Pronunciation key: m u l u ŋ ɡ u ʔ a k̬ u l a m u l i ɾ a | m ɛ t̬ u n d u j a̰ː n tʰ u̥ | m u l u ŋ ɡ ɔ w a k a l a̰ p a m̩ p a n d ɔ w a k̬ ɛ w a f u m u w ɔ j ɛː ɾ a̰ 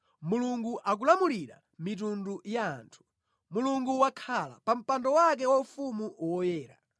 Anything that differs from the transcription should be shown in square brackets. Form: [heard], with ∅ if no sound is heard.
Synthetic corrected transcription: m u l u ŋ ɡ u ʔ a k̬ u l a m u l i ɾ a | m [i] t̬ u n d u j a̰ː n tʰ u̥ | m u l u ŋ ɡ [u] w a [kʰ] a l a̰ p a m̩ p a n d ɔ w a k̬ ɛ w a f u m u w ɔ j ɛː ɾ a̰